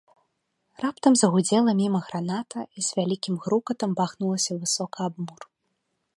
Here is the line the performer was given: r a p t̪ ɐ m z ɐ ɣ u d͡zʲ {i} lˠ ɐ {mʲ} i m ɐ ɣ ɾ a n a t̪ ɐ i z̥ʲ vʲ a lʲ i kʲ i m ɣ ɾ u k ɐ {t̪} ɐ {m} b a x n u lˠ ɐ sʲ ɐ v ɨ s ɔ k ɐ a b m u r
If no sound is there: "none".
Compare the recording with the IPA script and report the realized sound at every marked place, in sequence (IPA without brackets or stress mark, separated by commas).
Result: ɛ, mʲ, t̪, m